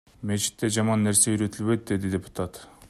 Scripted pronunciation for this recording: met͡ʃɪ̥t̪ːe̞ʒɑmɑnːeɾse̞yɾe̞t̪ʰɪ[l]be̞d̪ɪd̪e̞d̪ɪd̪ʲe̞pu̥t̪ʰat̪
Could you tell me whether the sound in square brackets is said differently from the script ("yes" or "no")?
no